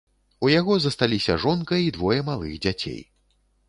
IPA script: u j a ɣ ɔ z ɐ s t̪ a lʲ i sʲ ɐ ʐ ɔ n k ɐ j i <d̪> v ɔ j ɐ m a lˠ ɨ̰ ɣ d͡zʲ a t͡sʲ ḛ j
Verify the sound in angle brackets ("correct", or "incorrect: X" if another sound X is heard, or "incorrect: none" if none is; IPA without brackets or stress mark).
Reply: correct